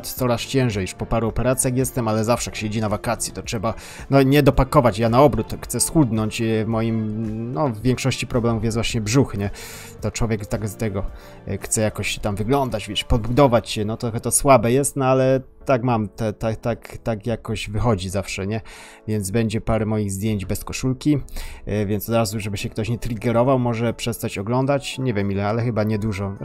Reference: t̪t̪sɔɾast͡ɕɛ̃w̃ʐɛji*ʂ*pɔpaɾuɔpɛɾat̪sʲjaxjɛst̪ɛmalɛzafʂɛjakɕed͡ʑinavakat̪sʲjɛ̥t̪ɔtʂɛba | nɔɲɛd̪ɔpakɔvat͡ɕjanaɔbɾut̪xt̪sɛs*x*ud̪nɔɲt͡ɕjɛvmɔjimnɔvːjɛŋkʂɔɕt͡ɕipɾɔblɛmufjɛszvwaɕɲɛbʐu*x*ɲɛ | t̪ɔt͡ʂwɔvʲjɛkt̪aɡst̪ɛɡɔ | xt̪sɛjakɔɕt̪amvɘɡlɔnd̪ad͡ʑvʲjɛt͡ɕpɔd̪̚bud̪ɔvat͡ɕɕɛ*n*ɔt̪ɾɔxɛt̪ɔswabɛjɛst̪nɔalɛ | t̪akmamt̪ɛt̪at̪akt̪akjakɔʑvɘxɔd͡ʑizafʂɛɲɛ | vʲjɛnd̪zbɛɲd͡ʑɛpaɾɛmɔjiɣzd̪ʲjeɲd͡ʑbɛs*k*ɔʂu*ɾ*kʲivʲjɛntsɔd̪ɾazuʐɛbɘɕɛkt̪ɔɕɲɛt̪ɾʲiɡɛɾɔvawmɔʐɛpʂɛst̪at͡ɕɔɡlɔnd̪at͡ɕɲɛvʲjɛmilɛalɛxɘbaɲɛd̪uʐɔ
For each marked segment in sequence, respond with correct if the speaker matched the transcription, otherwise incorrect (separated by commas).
correct, correct, correct, correct, correct, incorrect